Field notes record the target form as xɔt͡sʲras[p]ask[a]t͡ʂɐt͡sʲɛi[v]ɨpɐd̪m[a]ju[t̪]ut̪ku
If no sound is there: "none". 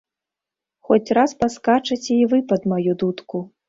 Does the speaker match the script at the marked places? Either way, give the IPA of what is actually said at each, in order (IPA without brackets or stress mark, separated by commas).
p, a, v, a, d̪